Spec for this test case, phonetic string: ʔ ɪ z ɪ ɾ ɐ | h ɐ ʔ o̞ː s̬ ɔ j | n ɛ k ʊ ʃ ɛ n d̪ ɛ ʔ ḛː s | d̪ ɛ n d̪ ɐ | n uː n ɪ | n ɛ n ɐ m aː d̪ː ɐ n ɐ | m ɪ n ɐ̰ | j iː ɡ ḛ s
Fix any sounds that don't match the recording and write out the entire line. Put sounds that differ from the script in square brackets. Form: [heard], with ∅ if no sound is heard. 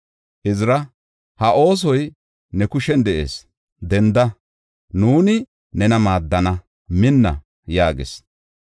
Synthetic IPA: ʔ ɪ z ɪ ɾ ɐ | h ɐ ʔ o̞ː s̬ ɔ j | n ɛ k ʊ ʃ ɛ n d̪ ɛ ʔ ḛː s | d̪ ɛ n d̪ ɐ | n uː n ɪ | n ɛ n ɐ m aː d̪ː ɐ n ɐ | m ɪ [nː] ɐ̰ | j [aː] ɡ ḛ s